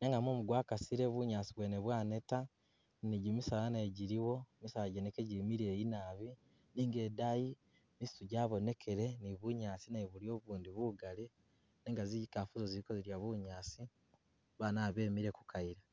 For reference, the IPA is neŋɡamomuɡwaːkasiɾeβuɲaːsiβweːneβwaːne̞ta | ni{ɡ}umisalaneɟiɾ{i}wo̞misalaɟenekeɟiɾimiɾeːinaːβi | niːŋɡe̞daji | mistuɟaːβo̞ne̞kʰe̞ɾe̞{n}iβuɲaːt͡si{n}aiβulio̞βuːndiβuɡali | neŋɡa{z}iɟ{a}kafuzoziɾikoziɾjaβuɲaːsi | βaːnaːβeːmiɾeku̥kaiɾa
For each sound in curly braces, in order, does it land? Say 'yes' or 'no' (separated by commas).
no, yes, yes, yes, yes, no